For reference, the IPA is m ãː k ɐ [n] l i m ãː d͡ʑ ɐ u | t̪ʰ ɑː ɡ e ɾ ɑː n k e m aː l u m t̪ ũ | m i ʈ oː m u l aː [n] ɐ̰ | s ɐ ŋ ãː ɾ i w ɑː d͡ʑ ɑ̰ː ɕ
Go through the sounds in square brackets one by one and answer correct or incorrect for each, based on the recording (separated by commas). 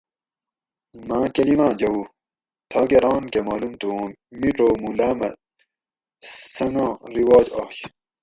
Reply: incorrect, incorrect